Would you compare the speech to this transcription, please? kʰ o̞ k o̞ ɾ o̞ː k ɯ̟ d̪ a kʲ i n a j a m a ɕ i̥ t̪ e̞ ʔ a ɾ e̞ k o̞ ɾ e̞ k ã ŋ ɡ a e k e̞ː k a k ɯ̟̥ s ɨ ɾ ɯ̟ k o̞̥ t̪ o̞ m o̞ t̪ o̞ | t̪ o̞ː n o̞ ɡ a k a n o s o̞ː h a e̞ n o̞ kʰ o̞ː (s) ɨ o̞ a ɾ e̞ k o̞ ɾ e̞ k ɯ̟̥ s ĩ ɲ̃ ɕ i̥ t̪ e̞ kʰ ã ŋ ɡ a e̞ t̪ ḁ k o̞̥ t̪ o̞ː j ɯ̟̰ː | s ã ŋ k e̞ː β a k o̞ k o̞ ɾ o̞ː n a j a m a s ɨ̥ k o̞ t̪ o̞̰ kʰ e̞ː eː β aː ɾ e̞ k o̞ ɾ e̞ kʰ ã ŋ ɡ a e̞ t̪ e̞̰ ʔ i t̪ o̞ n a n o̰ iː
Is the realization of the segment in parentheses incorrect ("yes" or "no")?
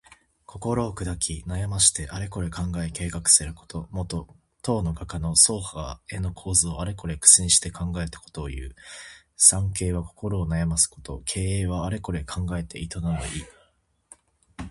yes